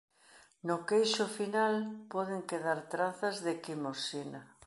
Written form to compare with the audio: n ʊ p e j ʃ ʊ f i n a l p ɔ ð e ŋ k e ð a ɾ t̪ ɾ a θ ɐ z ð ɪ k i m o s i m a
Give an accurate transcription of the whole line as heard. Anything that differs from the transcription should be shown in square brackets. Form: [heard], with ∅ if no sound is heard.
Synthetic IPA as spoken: n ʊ [k] e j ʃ ʊ f i n a l p ɔ ð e ŋ k e ð a ɾ t̪ ɾ a θ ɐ z ð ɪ k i m o s i [n] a